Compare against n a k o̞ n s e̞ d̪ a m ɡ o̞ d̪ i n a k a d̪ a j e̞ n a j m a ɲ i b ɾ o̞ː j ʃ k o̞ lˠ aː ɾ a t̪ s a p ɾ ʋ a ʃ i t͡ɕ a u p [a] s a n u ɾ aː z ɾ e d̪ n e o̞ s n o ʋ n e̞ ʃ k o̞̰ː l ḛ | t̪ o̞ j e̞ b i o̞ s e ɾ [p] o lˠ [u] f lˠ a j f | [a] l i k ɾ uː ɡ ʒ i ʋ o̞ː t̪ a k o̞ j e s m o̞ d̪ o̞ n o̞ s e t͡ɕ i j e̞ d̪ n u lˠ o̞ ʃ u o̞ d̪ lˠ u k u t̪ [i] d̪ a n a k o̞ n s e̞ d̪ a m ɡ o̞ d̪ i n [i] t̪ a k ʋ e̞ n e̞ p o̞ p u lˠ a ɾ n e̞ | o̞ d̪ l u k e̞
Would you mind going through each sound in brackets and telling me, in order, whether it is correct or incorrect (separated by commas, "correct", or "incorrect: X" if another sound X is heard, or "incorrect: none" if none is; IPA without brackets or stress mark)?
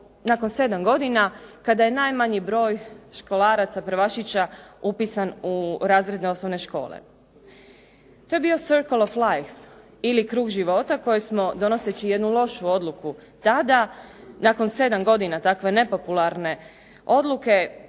incorrect: i, incorrect: k, incorrect: o, incorrect: i, incorrect: a, incorrect: a